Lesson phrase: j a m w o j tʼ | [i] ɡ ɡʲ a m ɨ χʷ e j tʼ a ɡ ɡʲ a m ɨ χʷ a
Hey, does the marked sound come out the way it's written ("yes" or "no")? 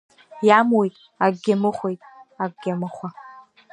no